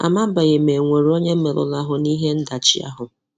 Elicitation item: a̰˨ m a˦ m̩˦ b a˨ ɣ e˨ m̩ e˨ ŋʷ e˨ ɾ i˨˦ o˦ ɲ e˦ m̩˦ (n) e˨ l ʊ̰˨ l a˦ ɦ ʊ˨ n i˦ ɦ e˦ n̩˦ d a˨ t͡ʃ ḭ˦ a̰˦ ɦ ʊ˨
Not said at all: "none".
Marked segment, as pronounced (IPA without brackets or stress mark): m